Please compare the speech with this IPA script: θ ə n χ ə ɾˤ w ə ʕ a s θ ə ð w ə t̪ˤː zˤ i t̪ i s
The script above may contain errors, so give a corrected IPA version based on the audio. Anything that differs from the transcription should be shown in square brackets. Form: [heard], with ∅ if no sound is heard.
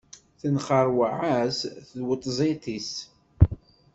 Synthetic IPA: θ ə n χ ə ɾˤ w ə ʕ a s θ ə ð w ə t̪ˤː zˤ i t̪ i s